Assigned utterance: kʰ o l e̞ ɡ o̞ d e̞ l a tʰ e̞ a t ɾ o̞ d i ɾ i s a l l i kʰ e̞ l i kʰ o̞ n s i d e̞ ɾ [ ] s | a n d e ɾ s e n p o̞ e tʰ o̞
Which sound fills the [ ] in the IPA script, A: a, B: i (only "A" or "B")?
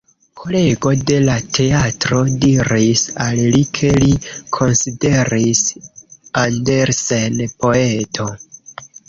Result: B